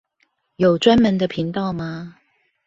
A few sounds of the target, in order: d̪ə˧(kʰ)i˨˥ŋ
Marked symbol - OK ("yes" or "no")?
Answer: no